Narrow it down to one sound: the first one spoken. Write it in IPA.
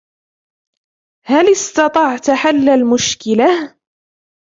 h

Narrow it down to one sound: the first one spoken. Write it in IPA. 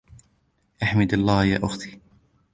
ʔ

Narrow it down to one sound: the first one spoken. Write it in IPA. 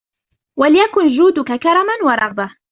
w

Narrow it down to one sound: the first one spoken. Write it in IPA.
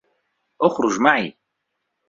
ʔ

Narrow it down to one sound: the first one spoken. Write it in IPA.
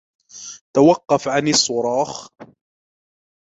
t̪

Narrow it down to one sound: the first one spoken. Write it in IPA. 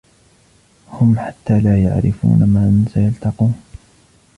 h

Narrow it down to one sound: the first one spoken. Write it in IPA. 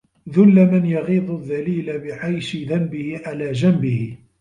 ð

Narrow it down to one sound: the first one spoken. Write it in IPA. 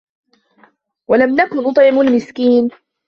w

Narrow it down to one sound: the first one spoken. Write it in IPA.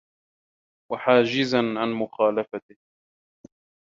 w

